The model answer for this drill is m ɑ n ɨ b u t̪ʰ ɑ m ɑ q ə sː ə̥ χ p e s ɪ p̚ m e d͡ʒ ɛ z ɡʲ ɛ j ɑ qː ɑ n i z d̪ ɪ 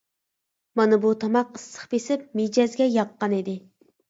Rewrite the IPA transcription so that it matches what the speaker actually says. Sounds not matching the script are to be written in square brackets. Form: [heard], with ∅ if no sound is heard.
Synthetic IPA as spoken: m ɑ n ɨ b u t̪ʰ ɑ m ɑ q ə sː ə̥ χ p e s ɪ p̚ m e d͡ʒ ɛ z ɡʲ ɛ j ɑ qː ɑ n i [∅] d̪ ɪ